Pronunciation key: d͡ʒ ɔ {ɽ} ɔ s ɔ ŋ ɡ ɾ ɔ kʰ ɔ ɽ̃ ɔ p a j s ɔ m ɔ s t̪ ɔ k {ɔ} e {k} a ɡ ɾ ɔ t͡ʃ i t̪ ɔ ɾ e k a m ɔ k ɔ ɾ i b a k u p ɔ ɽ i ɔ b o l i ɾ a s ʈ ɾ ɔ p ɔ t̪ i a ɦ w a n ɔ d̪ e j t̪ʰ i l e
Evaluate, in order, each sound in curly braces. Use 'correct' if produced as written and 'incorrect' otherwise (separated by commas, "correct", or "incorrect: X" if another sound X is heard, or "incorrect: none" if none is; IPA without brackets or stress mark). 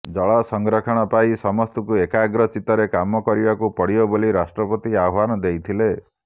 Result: incorrect: ɭ, incorrect: u, correct